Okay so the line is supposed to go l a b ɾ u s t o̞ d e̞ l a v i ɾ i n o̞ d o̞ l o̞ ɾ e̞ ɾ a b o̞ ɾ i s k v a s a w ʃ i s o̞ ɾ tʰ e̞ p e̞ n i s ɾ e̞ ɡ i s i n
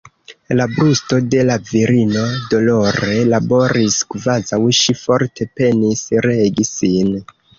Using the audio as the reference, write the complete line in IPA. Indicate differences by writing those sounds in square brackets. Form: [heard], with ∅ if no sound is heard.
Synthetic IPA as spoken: l a b ɾ u s t o̞ d e̞ l a v i ɾ i n o̞ d o̞ l o̞ ɾ e̞ [l] a b o̞ ɾ i s k v a [z] a w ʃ i [f] o̞ ɾ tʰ e̞ p e̞ n i s ɾ e̞ ɡ i s i n